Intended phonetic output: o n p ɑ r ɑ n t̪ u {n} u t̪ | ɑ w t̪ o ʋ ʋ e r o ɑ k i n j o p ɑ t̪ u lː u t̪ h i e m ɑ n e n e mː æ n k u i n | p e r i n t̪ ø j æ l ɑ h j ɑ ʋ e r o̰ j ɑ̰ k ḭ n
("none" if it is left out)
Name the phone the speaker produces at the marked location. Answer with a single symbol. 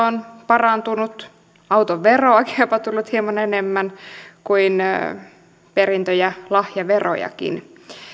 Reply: n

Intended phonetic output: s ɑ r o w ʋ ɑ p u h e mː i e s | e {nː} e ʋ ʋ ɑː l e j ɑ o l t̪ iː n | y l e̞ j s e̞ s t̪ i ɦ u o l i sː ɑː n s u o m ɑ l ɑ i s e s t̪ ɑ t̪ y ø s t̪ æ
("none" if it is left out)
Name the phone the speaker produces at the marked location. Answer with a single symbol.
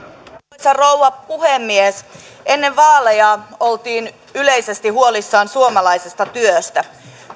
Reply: nː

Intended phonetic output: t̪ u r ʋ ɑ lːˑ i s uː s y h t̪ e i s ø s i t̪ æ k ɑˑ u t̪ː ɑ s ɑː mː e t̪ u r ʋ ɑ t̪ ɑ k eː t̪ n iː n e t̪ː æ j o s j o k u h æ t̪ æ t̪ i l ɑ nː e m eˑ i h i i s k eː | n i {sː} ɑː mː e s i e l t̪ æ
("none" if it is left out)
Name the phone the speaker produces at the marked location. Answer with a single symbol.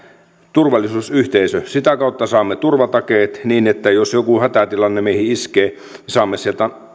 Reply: s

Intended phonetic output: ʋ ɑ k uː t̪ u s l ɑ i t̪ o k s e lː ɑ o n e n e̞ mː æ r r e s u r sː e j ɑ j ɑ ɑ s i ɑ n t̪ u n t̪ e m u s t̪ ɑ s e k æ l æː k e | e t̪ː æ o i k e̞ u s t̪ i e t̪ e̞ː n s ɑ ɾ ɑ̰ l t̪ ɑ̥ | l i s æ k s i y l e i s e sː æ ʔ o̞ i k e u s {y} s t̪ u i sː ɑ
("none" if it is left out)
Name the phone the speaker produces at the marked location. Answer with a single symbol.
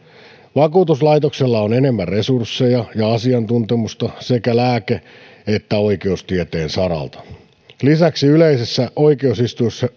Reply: i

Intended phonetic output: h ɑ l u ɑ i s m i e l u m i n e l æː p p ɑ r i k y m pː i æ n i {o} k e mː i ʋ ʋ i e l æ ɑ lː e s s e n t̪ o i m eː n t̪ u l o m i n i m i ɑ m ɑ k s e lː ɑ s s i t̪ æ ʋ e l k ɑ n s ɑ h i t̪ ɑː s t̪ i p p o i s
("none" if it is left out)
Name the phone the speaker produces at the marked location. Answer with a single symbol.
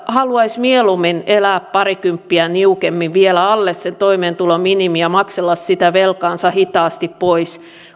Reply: u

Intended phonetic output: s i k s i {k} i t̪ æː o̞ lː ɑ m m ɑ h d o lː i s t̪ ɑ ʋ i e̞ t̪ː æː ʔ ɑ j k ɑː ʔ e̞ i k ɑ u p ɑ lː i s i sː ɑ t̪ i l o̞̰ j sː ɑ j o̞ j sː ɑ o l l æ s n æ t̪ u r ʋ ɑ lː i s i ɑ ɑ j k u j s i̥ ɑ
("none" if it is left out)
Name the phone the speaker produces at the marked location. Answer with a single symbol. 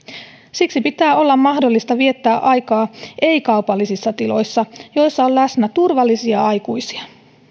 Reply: p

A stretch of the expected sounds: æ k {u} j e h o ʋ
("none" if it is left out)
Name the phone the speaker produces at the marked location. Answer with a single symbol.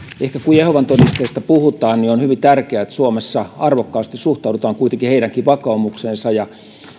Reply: u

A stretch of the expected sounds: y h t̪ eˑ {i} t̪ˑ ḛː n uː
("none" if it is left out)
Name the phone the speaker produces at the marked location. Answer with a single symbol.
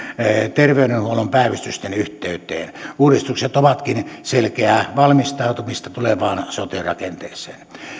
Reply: y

